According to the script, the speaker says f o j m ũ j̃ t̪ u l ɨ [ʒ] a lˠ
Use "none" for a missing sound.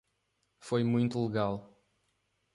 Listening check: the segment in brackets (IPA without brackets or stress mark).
ɣ